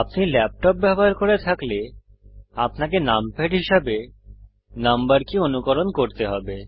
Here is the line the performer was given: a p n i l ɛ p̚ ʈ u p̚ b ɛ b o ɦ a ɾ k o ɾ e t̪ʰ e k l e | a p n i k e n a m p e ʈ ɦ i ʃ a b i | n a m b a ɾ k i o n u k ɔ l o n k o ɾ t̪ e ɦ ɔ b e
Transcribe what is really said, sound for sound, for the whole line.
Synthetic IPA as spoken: a p n i l ɛ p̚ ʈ ɔ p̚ b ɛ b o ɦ a ɾ k o ɾ e t̪ʰ a k l e | a p n a k e n a m p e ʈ ɦ i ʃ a b e | n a m b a ɾ k i o n u k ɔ ɾ o n k o ɾ t̪ e ɦ ɔ b e